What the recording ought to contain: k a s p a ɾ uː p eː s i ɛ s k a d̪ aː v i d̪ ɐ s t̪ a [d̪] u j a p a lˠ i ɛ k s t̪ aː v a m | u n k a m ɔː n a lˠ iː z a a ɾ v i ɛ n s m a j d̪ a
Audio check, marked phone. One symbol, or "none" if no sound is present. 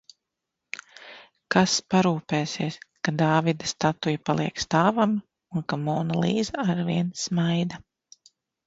t̪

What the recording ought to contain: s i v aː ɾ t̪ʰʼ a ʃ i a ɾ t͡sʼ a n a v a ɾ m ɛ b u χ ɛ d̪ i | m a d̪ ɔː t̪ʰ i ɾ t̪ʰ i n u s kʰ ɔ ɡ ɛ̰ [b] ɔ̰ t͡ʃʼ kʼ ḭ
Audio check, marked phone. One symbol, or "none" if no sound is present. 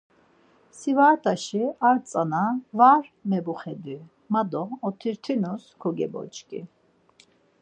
b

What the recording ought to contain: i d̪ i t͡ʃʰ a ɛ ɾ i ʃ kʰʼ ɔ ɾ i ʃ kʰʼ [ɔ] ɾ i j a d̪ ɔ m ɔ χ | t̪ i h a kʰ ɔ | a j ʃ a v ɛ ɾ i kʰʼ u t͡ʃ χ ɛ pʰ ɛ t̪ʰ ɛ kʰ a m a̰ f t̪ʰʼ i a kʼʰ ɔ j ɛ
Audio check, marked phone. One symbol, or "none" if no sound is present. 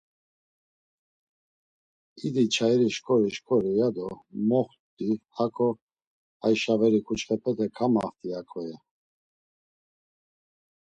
ɔ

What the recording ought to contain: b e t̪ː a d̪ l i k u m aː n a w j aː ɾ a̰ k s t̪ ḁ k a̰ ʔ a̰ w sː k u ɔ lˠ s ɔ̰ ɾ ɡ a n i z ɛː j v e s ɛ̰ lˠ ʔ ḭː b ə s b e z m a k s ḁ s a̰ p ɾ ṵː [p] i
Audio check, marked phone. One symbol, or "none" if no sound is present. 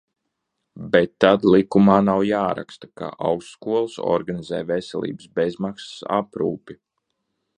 p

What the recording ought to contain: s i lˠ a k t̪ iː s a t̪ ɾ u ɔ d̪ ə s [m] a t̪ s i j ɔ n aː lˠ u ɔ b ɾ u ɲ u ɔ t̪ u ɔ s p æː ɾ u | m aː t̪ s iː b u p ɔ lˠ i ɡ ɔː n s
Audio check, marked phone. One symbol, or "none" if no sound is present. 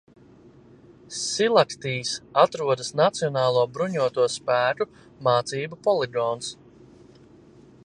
n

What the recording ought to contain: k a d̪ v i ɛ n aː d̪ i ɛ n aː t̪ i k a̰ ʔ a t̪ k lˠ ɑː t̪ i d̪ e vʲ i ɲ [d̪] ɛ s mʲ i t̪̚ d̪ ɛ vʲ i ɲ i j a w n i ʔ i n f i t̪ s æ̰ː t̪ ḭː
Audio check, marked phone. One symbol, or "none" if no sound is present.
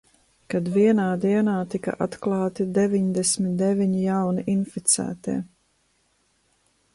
d̪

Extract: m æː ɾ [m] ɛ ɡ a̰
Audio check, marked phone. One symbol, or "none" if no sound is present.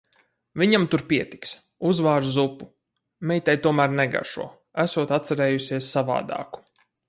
n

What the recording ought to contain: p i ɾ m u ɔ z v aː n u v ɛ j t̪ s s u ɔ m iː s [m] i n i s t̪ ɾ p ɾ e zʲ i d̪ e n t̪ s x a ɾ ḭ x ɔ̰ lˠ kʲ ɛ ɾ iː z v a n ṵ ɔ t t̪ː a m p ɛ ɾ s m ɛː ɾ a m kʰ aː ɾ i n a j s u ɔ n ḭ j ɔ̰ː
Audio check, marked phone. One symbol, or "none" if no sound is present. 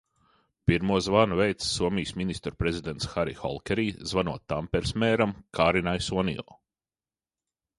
m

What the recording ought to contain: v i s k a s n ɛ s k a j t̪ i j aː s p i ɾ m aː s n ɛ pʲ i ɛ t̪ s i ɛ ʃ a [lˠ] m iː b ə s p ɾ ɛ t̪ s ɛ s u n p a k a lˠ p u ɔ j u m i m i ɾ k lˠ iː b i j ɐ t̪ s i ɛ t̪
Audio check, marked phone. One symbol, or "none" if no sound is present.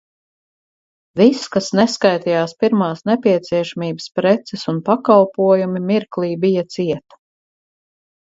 none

